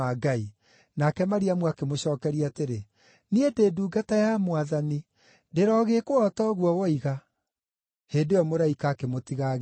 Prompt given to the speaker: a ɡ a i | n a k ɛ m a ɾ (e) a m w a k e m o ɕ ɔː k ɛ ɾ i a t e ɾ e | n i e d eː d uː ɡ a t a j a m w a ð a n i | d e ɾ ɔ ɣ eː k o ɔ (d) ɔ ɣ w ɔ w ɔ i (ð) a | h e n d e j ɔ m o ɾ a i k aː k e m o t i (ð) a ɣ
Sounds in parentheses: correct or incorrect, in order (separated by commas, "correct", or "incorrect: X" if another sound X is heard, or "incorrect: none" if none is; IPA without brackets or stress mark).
incorrect: i, incorrect: t, incorrect: ɣ, incorrect: ɣ